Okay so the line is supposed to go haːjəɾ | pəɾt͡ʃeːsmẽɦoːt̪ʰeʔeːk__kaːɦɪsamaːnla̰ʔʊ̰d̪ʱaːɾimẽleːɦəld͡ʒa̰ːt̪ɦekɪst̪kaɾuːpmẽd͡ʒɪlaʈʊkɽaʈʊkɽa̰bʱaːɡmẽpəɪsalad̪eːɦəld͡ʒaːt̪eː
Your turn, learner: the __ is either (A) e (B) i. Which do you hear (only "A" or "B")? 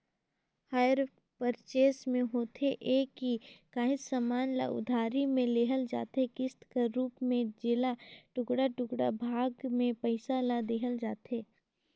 B